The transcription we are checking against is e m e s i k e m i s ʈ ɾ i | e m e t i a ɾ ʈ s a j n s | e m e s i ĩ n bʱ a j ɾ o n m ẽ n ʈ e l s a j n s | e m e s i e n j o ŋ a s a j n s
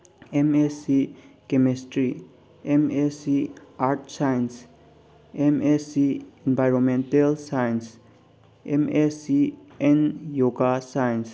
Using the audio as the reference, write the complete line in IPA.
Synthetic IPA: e m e s i k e m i s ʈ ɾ i | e m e s i a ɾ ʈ s a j n s | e m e s i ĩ n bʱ a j ɾ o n m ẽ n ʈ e l s a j n s | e m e s i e n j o ɡ a s a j n s